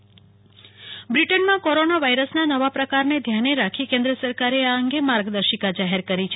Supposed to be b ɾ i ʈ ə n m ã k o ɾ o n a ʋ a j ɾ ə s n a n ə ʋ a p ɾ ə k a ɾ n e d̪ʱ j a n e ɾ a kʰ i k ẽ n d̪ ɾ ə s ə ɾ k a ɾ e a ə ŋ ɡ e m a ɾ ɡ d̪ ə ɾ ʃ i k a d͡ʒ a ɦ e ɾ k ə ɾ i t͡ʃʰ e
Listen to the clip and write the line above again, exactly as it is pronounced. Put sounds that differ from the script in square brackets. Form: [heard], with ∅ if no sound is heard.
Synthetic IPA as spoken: b ɾ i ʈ ə n m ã k o ɾ o n a ʋ a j ɾ ə s n a n ə ʋ a p ɾ ə k a ɾ n e d̪ʱ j a n e ɾ a kʰ i k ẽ n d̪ ɾ ə s ə ɾ k a ɾ e a ə ŋ ɡ e m a ɾ ɡ d̪ ə ɾ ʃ i k a d͡ʒ a ɦ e ɾ k ə ɾ i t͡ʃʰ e